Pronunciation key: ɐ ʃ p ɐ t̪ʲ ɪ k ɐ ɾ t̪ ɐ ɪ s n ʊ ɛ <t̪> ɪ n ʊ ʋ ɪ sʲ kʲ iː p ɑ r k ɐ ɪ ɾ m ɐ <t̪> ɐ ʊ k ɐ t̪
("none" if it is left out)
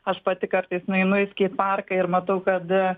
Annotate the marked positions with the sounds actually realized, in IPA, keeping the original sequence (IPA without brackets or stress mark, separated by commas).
none, t̪